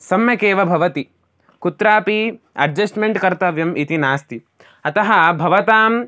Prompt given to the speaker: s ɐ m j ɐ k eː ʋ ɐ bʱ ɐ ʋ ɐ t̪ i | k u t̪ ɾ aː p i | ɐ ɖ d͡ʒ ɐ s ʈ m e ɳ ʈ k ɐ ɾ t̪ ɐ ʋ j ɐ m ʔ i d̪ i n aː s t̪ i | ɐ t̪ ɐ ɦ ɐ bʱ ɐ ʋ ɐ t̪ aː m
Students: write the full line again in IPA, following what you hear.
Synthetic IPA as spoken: s ɐ m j ɐ k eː ʋ ɐ bʱ ɐ ʋ ɐ t̪ i | k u t̪ ɾ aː p i | ɐ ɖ d͡ʒ ɐ s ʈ m e ɳ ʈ k ɐ ɾ t̪ ɐ ʋ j ɐ m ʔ i t̪ i n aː s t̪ i | ɐ t̪ ɐ ɦ ɐ bʱ ɐ ʋ ɐ t̪ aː m